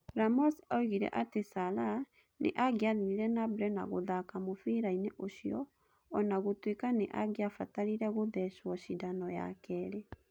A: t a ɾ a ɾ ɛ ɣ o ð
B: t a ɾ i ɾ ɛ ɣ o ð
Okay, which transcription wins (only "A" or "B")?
B